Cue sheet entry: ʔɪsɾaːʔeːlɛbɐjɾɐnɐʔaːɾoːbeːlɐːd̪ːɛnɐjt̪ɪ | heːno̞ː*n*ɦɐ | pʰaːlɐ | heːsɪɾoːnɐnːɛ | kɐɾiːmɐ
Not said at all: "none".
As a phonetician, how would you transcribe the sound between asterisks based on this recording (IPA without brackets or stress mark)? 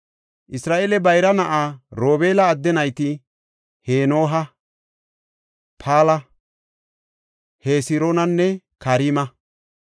none